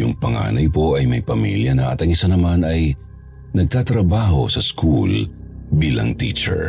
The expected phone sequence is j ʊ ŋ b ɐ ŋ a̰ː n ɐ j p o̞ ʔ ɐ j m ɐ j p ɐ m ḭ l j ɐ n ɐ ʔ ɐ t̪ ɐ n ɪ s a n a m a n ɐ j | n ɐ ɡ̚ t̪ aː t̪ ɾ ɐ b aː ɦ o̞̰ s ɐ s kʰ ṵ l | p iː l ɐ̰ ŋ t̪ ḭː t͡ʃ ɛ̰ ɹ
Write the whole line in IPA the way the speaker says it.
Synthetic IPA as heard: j ʊ ŋ p ɐ ŋ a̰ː n ɐ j p o̞ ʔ ɐ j m ɐ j p ɐ m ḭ l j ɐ n ɐ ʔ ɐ t̪ ɐ ŋ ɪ s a n ɐ m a n ɐ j | n ɐ ɡ̚ t̪ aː t̪ ɾ ɐ b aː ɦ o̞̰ s ɐ s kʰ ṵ l | b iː l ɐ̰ ŋ t̪ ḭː t͡ʃ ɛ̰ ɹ